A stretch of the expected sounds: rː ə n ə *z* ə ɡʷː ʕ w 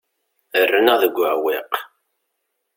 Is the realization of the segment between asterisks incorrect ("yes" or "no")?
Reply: yes